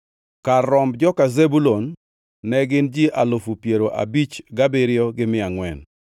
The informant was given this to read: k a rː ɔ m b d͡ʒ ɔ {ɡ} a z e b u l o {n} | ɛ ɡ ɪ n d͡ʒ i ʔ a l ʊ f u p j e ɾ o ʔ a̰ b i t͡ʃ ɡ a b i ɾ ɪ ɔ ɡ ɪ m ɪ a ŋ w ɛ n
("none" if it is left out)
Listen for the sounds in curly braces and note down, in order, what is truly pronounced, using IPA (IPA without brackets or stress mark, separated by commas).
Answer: k, nː